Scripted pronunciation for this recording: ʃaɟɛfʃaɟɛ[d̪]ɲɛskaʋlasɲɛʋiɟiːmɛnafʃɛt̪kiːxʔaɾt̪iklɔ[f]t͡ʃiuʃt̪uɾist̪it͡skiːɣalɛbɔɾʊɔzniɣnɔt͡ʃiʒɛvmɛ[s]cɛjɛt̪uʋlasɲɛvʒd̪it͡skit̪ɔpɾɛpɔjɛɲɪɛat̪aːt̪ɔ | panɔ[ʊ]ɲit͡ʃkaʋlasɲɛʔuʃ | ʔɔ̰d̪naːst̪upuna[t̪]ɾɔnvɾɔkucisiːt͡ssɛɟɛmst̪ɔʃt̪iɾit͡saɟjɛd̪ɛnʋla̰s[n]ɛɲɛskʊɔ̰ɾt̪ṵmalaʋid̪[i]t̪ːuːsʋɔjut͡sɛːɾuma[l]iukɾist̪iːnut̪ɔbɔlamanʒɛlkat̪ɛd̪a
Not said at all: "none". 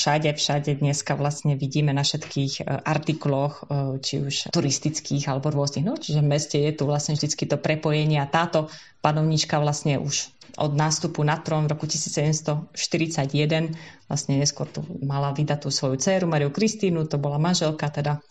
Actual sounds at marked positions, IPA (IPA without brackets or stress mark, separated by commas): d̪, x, s, ʊ, t̪, ɲ, a, ɾ